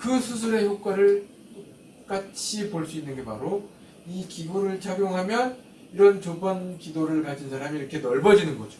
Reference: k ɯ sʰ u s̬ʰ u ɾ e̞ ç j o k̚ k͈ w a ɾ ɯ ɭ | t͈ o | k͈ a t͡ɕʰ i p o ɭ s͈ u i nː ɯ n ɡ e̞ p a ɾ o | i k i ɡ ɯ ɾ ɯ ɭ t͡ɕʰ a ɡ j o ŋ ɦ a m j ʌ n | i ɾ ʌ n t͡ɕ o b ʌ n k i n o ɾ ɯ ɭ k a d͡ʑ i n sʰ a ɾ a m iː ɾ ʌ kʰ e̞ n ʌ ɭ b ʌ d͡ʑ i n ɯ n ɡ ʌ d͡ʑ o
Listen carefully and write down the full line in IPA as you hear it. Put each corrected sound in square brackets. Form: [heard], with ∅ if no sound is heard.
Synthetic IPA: k ɯ sʰ u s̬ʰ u ɾ e̞ ç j o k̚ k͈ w a ɾ ɯ ɭ | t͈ o | k͈ a t͡ɕʰ i p o ɭ s͈ u i nː ɯ n ɡ e̞ p a ɾ o | i k i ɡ [u] ɾ ɯ ɭ [t͡ɕ] a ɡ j o ŋ ɦ a m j ʌ n | i ɾ ʌ n t͡ɕ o b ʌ n k i [d] o ɾ ɯ ɭ k a d͡ʑ i n sʰ a ɾ a m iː ɾ ʌ kʰ e̞ n ʌ ɭ b ʌ d͡ʑ i n ɯ n ɡ ʌ d͡ʑ o